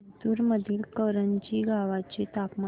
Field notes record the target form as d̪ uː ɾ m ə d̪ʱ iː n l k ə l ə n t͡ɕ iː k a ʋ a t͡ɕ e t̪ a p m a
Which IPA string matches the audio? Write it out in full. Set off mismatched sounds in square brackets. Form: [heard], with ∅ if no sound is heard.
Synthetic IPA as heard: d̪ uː ɾ m ə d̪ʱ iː [∅] l k ə [ɾ] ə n t͡ɕ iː [ɡ] a ʋ a t͡ɕ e t̪ a p m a